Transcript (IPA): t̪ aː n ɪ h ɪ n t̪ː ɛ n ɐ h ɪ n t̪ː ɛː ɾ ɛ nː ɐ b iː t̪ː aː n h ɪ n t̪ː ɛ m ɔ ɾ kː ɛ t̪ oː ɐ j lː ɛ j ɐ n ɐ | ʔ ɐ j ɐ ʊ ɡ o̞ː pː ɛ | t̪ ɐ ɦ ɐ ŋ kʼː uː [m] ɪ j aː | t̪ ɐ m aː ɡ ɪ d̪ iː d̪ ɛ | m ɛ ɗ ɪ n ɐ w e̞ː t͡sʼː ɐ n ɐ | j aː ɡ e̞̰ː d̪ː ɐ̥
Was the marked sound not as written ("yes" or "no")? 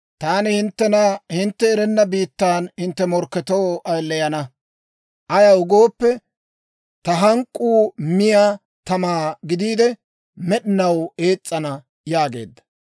no